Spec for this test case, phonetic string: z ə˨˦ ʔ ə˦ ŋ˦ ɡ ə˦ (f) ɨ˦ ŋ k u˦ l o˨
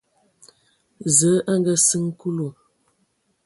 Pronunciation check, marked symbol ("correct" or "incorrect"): incorrect